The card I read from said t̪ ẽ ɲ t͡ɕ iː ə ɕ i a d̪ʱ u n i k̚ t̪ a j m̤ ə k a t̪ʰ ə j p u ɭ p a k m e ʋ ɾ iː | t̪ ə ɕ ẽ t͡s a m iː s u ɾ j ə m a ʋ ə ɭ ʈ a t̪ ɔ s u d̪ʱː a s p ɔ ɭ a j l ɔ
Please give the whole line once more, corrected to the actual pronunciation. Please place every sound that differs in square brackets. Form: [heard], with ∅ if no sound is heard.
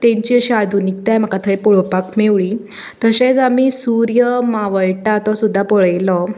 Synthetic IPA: t̪ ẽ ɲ t͡ɕ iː ə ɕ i a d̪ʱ u n i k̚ t̪ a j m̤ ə k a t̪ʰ ə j p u ɭ p a k m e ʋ [ɭ] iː | t̪ ə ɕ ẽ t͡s a m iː s u ɾ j ə m a ʋ ə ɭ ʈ a t̪ ɔ s u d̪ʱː a [∅] p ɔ ɭ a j l ɔ